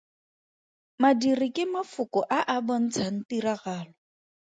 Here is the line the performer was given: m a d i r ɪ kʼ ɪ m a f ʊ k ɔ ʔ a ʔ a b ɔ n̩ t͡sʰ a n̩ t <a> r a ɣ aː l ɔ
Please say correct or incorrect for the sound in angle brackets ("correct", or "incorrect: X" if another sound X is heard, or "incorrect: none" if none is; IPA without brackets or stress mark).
incorrect: i